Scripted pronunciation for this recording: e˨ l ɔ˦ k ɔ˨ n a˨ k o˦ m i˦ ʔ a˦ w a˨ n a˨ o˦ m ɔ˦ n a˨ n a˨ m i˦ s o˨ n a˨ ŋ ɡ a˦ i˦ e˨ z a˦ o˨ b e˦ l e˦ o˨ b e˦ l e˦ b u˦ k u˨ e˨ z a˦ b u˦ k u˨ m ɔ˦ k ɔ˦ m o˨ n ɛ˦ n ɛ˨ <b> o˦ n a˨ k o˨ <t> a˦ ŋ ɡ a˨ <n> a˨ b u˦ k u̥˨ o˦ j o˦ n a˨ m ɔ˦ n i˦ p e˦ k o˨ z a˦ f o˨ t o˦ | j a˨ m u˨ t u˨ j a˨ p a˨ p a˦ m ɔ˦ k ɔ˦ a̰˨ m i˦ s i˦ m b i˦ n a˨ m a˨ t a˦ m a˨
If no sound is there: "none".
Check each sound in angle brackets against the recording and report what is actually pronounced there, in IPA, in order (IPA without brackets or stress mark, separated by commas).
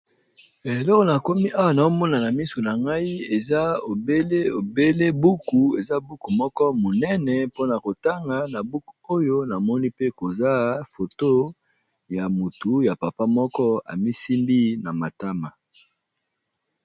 p, t, n